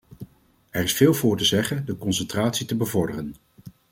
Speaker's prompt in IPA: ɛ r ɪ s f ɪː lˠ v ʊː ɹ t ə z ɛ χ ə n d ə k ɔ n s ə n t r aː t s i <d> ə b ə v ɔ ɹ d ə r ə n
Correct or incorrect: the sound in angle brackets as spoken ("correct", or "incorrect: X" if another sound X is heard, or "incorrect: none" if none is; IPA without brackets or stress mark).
incorrect: t